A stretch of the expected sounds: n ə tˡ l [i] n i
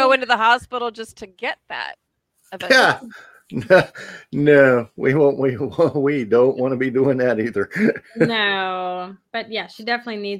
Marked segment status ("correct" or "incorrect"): correct